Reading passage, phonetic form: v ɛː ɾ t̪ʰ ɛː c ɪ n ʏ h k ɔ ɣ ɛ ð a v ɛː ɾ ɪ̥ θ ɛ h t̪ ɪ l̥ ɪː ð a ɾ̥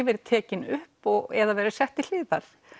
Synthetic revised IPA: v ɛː ɾ t̪ʰ ɛː c ɪ n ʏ h p ɔ ɣ ɛ ð a v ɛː ɾ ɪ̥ s ɛ h t̪ ɪ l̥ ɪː ð a ɾ̥